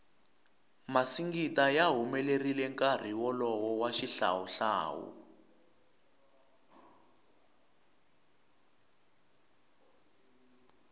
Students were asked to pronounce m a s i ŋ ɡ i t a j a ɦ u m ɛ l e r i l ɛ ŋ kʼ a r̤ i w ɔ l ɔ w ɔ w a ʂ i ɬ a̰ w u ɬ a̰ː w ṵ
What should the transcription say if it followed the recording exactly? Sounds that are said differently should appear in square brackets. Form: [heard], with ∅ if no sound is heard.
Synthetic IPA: m a s i ŋ ɡ i t a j a ɦ u m ɛ l e r i l ɛ ŋ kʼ a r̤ i w ɔ l ɔ w ɔ w a [ʃ] i ɬ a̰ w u ɬ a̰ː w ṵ